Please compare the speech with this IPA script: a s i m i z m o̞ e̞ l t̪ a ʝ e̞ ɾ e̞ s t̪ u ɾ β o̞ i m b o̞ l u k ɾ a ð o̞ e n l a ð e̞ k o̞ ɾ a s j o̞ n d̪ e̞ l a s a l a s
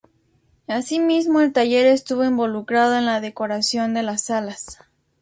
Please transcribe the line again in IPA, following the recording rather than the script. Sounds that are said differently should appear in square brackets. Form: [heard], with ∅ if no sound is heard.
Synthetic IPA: a s i m i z m o̞ e̞ l t̪ a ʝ e̞ ɾ e̞ s t̪ u [∅] β o̞ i m b o̞ l u k ɾ a ð o̞ e n l a ð e̞ k o̞ ɾ a s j o̞ n d̪ e̞ l a s a l a s